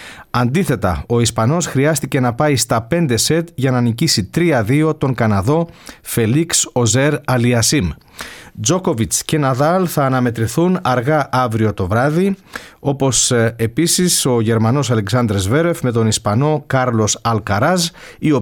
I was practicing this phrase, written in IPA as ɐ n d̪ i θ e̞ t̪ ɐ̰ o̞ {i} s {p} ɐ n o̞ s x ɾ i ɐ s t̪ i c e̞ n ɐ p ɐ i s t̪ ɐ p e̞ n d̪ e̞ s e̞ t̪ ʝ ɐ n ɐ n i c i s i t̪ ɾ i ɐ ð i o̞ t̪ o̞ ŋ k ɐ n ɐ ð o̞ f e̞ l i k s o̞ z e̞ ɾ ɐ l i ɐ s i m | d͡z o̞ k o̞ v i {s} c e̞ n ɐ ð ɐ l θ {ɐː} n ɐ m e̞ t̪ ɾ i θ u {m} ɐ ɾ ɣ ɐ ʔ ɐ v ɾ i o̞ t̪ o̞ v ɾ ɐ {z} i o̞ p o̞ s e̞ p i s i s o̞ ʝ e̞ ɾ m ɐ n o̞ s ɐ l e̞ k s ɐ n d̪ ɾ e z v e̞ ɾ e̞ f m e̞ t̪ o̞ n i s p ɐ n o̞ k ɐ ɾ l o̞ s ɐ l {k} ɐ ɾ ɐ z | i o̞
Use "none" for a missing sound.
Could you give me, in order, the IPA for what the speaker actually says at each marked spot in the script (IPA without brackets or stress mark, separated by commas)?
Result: i, p, t͡s, ɐː, n, ð, k